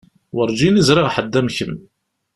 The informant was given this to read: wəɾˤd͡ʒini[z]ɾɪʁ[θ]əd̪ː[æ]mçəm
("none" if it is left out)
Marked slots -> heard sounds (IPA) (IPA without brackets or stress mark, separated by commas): z, ħ, æ